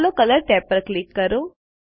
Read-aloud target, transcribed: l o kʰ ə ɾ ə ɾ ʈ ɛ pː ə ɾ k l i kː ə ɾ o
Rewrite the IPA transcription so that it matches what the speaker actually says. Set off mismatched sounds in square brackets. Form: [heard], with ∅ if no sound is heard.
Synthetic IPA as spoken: l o [k] ə [l] ə ɾ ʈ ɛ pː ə ɾ k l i kː ə ɾ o